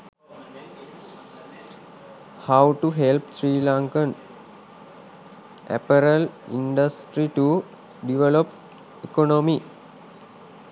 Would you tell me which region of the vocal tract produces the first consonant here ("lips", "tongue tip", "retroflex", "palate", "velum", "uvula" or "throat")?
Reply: throat